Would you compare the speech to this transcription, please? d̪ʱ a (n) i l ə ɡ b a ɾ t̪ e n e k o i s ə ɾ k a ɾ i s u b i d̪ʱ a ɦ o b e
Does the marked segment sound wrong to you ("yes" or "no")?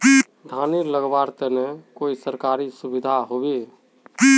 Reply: no